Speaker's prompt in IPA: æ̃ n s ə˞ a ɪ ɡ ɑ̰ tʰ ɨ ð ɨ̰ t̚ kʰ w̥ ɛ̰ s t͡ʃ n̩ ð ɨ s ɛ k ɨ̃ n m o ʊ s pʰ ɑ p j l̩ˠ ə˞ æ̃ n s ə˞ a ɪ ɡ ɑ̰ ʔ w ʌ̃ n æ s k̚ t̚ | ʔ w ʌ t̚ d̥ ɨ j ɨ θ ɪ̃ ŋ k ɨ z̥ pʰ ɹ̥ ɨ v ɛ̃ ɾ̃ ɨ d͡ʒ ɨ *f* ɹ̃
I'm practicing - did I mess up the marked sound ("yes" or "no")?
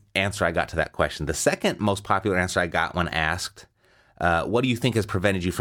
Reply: no